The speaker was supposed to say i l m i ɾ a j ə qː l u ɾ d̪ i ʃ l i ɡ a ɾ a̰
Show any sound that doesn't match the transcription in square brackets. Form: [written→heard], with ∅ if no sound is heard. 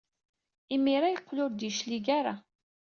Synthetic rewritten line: i [l→∅] m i ɾ a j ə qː l [u→ʊ] ɾ d̪ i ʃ l i ɡ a ɾ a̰